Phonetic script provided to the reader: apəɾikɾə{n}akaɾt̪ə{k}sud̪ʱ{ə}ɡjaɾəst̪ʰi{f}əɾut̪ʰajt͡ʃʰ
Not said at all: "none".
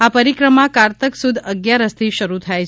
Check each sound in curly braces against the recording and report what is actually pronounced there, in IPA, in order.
m, k, ə, ʃ

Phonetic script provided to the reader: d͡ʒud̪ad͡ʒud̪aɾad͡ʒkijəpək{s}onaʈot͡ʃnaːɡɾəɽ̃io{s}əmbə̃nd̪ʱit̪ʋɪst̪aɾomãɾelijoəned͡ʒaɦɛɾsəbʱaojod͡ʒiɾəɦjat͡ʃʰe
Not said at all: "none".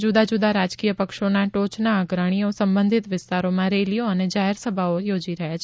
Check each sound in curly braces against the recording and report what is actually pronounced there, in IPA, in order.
ʃ, s

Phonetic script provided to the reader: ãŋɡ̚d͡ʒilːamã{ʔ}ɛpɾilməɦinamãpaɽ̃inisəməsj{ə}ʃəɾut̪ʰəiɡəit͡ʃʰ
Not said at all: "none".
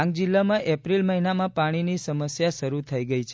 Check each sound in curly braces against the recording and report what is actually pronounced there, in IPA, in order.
ʔ, a

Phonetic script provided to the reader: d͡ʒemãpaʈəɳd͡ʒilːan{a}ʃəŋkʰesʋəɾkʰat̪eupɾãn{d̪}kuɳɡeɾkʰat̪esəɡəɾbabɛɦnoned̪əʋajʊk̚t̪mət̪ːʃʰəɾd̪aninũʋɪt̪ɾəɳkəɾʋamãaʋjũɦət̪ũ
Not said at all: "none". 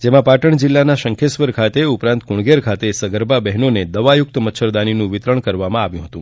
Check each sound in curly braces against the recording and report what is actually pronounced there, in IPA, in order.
a, t̪

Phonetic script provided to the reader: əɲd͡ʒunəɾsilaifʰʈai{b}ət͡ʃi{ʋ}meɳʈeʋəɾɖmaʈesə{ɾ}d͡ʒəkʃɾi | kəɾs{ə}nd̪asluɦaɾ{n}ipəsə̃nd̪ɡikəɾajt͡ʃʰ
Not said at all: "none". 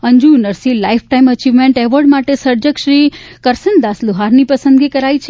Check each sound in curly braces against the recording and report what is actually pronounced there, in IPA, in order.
m, ʋ, ɾ, ə, n

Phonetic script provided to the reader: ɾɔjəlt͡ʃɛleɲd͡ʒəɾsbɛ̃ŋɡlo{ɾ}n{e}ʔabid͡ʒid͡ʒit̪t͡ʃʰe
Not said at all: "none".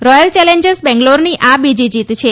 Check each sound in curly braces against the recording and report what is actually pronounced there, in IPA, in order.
ɾ, i

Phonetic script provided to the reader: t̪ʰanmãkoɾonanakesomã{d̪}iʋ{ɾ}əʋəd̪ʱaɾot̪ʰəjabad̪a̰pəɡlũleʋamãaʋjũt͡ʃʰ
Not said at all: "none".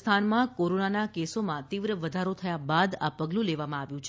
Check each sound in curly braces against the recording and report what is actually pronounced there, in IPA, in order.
t̪, ɾ

